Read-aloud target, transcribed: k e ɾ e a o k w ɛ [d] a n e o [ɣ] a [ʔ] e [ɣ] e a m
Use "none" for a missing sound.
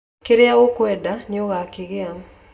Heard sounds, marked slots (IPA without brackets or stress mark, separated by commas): d, ɣ, k, ɣ